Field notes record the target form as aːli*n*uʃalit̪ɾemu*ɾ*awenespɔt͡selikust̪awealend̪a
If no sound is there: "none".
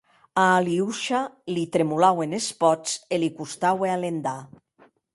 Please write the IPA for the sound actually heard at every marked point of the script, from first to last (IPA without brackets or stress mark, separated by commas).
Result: none, l